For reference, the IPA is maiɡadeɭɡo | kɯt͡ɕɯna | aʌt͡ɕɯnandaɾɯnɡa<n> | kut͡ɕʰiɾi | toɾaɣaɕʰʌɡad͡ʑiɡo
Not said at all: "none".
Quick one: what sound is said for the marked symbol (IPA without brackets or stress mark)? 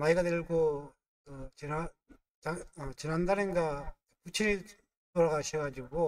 none